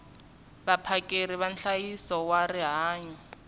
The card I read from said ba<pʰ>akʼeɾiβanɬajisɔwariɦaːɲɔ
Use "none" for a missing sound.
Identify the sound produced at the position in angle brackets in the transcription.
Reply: pʰ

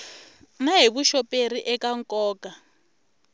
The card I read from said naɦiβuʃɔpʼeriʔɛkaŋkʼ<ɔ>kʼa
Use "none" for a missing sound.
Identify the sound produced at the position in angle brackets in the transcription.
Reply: ɔː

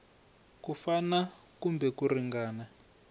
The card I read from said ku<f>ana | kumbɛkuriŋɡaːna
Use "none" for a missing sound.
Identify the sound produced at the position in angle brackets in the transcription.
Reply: f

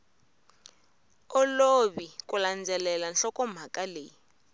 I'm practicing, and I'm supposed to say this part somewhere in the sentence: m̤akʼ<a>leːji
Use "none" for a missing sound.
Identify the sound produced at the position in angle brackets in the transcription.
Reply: a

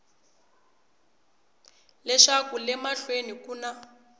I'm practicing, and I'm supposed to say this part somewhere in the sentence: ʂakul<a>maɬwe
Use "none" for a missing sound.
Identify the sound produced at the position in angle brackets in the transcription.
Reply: ɛ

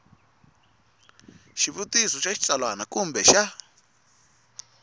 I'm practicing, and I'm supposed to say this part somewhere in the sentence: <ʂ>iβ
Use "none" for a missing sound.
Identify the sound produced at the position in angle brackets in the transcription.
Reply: ʃ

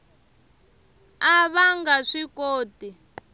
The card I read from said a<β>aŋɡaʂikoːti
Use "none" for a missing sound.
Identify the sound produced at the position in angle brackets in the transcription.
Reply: β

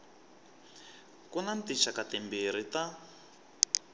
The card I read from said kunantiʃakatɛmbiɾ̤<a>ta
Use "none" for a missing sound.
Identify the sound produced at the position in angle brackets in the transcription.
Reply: i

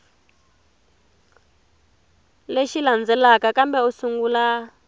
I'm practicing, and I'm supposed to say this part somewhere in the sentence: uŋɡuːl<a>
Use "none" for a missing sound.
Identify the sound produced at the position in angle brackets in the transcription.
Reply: a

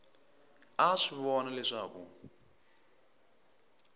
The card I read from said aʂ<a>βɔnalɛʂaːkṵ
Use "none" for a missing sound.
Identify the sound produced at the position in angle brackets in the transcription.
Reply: i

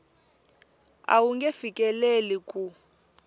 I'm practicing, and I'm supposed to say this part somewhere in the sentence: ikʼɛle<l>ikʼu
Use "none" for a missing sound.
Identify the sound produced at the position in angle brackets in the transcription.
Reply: l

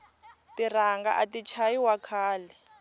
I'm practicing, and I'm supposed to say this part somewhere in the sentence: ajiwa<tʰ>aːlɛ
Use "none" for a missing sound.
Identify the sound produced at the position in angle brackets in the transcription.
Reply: kʰ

